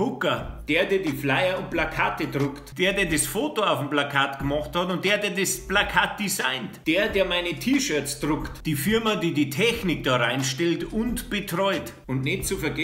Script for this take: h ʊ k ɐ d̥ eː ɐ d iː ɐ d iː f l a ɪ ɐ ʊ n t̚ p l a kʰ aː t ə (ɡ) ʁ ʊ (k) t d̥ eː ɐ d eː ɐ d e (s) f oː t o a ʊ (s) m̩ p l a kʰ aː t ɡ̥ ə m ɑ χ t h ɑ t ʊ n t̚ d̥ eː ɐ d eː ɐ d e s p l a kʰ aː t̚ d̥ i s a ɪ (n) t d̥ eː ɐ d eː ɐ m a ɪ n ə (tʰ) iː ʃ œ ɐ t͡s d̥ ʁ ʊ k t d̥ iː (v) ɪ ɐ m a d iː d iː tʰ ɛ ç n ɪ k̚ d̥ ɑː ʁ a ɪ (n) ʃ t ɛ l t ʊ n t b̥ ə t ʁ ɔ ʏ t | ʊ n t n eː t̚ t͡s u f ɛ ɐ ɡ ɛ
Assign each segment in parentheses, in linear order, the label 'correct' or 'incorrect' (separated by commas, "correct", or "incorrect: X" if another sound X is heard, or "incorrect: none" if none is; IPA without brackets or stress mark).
incorrect: d, correct, correct, incorrect: f, correct, correct, incorrect: f, correct